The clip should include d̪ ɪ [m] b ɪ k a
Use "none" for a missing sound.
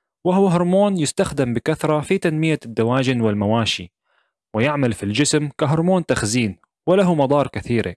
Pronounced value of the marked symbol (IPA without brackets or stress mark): m